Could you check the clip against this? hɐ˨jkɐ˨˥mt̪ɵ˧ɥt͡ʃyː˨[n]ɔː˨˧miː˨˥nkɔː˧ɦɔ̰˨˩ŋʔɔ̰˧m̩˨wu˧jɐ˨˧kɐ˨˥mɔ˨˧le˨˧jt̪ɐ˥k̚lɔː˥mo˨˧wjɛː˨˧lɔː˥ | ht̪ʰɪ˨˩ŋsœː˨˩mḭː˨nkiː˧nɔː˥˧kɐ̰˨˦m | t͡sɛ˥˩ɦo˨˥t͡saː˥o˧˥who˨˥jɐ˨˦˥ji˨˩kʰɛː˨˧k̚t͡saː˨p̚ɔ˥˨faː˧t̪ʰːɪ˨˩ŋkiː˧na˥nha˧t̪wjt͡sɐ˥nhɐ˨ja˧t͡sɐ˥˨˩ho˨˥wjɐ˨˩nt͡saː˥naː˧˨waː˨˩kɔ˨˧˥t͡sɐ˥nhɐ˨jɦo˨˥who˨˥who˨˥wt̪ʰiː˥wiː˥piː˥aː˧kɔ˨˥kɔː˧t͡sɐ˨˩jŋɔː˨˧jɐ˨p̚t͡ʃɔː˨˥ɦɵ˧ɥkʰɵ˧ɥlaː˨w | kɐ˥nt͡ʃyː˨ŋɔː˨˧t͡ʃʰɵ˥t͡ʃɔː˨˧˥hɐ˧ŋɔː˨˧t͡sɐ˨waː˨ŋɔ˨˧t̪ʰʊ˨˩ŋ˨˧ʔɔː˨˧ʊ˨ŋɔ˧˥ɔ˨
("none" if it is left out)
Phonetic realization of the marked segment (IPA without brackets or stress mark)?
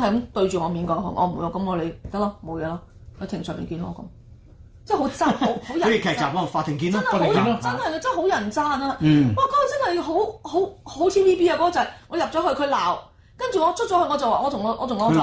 ŋ